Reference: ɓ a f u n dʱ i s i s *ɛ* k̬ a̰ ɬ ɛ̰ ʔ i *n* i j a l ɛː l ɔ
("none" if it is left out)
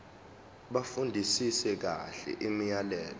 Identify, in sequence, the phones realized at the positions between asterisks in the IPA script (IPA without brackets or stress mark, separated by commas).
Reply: ɛ, m